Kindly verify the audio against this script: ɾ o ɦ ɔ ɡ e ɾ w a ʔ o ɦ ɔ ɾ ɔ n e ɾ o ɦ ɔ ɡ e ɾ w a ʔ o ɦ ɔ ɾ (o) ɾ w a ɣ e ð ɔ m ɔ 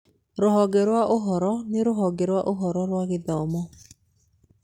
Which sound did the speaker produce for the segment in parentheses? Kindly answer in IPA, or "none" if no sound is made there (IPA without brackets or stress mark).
ɔ